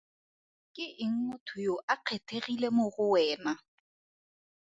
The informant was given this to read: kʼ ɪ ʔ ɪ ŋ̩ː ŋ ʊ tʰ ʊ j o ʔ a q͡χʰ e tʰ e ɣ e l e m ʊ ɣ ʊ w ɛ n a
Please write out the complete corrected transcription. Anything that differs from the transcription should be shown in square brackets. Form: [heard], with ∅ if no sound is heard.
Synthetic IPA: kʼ ɪ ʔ ɪ [ŋ̩] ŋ ʊ tʰ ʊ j o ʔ a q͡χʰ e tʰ e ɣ [i] l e m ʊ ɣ ʊ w [ɛː] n a